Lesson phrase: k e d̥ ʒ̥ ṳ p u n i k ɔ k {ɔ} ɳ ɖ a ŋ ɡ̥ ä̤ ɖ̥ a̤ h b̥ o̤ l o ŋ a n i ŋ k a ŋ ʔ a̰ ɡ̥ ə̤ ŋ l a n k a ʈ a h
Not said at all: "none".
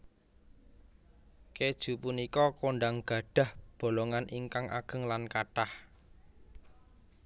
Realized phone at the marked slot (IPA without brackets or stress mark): o